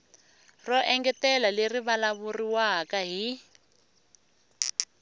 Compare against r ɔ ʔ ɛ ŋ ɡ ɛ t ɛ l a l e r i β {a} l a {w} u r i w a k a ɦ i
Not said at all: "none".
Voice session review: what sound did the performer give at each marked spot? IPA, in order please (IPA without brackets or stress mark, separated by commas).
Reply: a, β